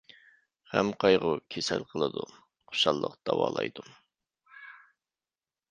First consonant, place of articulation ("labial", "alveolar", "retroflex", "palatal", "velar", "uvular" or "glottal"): glottal